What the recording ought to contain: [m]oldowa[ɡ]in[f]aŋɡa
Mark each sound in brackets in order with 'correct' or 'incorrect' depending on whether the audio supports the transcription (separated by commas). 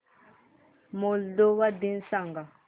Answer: correct, incorrect, incorrect